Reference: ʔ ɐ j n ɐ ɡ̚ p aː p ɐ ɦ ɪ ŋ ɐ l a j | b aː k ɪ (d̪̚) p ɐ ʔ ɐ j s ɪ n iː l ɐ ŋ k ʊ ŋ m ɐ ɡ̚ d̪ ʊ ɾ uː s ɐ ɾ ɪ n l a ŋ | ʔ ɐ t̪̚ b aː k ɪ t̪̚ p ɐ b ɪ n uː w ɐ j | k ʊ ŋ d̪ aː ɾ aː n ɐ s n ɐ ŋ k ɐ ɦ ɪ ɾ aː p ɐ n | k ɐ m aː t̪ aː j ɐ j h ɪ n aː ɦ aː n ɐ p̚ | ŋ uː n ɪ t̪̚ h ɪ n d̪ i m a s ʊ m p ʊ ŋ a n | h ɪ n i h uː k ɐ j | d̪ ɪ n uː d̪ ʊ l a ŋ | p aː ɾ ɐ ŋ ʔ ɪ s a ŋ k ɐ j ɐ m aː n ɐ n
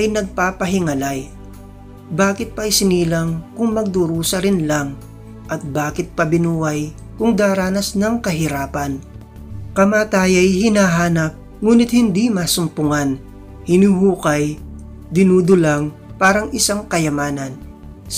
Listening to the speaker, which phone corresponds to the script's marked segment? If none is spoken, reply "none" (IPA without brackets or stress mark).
t̪̚